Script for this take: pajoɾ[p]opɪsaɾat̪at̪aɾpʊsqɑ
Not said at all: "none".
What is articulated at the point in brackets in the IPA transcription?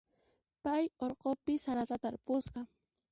q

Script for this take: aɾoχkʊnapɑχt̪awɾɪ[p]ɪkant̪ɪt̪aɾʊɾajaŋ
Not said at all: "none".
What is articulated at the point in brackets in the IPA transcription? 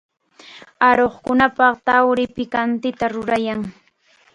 p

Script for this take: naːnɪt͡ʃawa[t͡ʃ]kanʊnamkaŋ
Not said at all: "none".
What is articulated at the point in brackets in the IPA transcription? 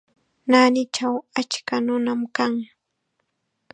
t͡ʃ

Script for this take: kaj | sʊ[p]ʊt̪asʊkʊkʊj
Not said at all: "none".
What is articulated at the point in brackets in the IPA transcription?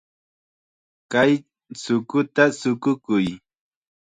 k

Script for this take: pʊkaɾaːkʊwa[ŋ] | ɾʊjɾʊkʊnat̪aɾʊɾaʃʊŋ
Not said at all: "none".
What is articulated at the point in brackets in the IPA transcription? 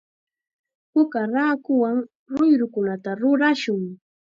ŋ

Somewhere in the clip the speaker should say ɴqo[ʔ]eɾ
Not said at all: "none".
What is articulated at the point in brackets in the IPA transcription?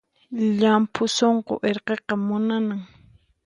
ʔ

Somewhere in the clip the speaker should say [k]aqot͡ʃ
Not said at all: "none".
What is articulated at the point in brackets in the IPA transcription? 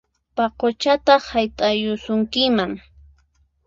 p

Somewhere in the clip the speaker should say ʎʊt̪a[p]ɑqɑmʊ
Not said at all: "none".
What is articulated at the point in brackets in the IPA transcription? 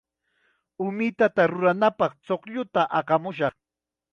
ʔ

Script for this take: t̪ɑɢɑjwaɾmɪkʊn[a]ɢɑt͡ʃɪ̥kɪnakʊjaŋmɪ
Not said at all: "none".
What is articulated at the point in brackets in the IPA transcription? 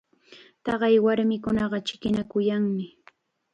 ɑ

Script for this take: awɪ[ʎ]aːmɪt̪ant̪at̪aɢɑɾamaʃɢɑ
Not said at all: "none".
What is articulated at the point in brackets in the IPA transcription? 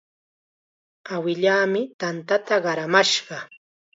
ʎ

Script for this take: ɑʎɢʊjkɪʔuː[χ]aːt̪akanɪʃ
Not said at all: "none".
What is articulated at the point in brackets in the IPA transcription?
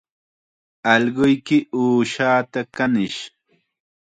ʃ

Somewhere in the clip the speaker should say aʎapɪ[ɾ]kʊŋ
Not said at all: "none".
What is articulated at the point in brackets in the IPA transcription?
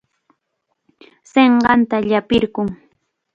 ɾ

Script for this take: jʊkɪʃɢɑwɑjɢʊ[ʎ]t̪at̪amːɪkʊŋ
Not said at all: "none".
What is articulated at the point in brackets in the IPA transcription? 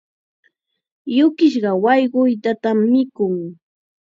j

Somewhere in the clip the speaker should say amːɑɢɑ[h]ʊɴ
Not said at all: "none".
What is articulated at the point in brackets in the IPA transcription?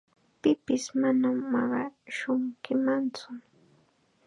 ʃ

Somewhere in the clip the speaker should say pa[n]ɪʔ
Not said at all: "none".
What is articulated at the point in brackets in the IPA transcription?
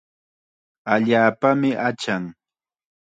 m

